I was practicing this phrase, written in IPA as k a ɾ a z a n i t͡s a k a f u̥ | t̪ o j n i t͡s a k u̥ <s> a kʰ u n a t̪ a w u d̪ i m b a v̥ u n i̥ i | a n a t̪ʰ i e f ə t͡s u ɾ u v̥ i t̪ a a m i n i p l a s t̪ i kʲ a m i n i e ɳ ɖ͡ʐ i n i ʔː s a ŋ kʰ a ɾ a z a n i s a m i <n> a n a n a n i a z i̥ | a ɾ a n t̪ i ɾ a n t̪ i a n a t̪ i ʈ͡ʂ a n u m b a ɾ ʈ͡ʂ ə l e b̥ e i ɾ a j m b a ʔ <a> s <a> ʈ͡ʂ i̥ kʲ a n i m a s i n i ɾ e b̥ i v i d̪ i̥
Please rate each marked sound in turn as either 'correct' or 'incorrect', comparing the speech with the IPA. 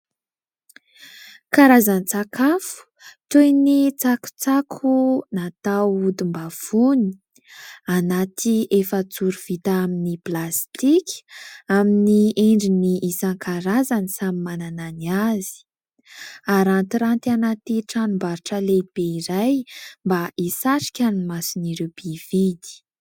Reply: incorrect: t͡s, incorrect: m, incorrect: i, correct

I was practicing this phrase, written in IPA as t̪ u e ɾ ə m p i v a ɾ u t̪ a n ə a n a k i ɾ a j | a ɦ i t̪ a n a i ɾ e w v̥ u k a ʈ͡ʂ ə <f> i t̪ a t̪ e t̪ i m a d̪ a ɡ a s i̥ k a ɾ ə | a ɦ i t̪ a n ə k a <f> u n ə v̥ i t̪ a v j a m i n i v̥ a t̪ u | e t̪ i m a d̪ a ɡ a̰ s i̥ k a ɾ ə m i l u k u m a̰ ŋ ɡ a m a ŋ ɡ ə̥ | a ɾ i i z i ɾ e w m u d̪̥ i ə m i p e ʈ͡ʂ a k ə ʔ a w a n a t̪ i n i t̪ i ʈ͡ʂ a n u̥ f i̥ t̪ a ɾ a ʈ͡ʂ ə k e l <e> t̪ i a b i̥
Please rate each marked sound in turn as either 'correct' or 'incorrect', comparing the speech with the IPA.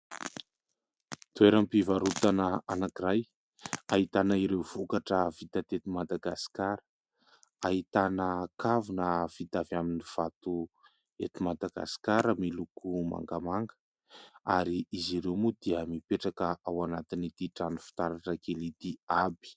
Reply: incorrect: v, incorrect: v, incorrect: i

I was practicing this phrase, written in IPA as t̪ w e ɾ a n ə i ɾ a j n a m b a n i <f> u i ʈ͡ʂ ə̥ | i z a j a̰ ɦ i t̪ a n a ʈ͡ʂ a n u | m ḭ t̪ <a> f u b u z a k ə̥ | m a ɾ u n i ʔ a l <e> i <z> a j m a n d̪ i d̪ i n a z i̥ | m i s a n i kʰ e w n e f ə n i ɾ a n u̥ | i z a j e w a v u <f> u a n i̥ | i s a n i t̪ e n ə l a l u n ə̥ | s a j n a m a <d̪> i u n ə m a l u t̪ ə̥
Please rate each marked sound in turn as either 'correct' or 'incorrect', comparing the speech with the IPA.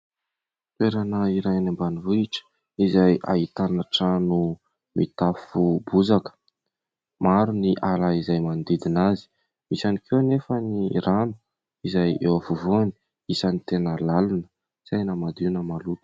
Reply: incorrect: v, correct, incorrect: a, correct, incorrect: v, correct

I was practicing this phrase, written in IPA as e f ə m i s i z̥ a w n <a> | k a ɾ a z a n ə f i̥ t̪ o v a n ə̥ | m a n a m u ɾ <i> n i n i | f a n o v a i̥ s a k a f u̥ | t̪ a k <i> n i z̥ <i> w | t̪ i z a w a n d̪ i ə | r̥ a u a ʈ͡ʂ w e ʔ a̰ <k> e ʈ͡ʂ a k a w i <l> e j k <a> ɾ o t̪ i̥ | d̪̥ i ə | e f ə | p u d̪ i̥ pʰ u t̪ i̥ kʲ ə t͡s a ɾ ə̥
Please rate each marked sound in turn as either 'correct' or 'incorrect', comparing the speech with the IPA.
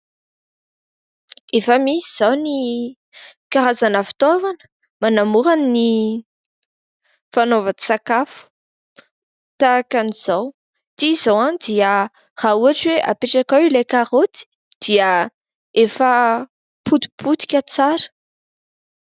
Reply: incorrect: i, incorrect: a, incorrect: a, incorrect: a, incorrect: p, correct, correct

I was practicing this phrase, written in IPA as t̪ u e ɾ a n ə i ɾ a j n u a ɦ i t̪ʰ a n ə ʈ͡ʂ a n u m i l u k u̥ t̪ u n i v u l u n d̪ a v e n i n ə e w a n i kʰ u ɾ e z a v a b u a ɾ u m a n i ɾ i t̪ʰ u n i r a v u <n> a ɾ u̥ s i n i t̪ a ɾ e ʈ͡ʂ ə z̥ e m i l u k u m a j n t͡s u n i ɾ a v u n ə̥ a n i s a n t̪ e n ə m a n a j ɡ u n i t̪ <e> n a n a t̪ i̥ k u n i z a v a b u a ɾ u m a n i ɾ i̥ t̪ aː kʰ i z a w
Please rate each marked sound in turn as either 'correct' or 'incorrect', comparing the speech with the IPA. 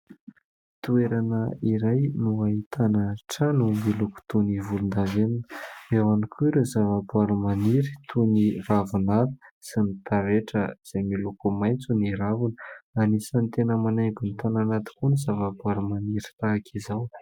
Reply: correct, incorrect: a

